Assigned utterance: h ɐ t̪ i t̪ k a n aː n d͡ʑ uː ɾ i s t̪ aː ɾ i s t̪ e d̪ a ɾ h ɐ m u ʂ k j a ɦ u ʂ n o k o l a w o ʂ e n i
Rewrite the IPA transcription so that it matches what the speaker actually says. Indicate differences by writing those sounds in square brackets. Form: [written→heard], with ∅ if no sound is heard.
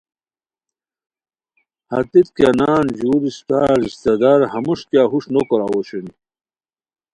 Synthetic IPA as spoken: h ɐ t̪ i t̪ k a n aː n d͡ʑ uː ɾ i s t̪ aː ɾ i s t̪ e d̪ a ɾ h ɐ m u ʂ k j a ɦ u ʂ n o k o [l→ɾ] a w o [ʂ→ɕ] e n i